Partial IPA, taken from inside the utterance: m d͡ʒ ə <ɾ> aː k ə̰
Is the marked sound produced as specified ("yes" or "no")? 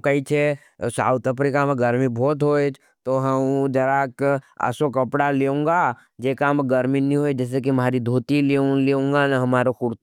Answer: yes